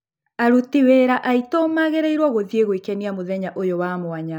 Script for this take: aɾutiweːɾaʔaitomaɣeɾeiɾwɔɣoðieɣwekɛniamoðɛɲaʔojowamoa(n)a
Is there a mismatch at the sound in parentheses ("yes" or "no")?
yes